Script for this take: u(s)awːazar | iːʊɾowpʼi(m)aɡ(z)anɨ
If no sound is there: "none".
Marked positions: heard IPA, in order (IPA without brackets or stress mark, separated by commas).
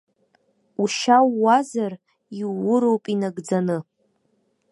ʃ, n, d͡z